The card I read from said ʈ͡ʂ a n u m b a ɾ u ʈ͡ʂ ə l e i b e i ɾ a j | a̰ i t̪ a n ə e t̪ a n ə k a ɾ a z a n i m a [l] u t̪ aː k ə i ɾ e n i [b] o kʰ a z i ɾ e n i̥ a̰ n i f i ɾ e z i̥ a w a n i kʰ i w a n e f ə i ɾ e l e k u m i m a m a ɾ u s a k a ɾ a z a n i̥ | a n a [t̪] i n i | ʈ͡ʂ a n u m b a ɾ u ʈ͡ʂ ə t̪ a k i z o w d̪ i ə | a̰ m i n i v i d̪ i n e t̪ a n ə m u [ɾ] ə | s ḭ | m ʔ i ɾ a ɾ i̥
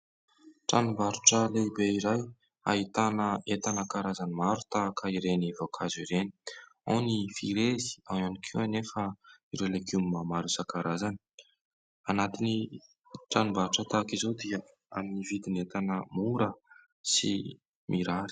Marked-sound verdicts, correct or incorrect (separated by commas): incorrect, incorrect, correct, correct